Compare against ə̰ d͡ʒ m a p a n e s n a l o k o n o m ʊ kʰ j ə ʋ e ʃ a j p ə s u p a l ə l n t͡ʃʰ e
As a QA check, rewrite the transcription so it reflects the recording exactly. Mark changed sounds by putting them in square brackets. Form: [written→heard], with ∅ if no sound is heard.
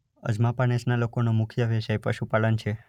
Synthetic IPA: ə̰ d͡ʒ m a p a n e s n a l o k o n o m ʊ kʰ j ə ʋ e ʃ a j p ə [s→ʃ] u p a l ə [l→∅] n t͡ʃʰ e

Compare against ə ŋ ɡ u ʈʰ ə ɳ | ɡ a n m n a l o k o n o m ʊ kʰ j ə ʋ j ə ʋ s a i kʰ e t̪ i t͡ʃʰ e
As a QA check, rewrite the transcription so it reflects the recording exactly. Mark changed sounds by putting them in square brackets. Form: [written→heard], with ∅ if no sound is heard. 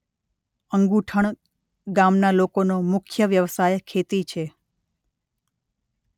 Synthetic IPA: ə ŋ ɡ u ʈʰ ə ɳ | ɡ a [n→∅] m n a l o k o n o m ʊ kʰ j ə ʋ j ə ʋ s a [i→j] kʰ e t̪ i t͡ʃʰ e

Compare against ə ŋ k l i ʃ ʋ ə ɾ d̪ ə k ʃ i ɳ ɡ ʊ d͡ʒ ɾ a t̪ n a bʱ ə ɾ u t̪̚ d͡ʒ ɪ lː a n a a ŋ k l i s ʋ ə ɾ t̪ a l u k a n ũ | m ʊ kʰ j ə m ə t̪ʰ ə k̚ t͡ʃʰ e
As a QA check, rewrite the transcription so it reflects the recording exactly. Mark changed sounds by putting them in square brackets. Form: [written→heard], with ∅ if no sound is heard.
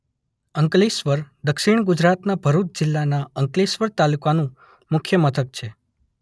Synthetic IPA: ə ŋ k l i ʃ ʋ ə ɾ d̪ ə k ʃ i ɳ ɡ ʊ d͡ʒ ɾ a t̪ n a bʱ ə ɾ u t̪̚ d͡ʒ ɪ lː a n a [a→ə] ŋ k l i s ʋ ə ɾ t̪ a l u k a n ũ | m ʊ kʰ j ə m ə t̪ʰ ə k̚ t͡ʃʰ e

